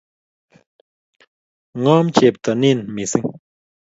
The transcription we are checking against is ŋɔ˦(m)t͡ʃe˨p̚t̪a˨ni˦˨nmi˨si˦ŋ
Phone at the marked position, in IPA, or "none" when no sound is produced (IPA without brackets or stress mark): m